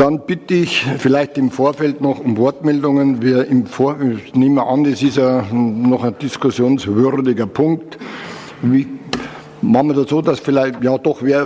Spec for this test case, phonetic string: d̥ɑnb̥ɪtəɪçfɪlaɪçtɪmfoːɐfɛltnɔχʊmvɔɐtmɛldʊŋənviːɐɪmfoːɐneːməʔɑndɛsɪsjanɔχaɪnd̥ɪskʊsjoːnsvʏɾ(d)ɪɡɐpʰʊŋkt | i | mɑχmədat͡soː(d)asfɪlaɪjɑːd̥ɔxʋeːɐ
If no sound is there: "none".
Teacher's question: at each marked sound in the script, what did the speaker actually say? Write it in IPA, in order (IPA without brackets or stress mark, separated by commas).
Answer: d, d